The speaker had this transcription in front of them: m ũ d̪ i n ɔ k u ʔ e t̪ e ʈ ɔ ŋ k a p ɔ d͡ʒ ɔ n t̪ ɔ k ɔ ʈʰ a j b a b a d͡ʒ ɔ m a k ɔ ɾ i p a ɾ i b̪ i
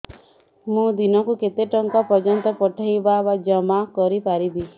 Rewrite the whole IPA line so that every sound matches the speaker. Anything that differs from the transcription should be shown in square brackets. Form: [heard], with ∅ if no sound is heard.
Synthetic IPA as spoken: m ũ d̪ i n ɔ k u [k] e t̪ e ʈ ɔ ŋ k a p ɔ d͡ʒ ɔ n t̪ ɔ [p] ɔ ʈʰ a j b a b a d͡ʒ ɔ m a k ɔ ɾ i p a ɾ i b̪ i